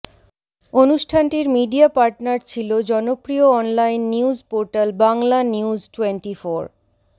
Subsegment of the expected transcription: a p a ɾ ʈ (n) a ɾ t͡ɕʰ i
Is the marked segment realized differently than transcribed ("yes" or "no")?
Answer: no